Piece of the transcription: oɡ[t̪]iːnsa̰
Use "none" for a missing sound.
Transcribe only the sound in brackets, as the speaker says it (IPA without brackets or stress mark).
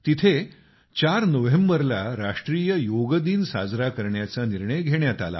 d̪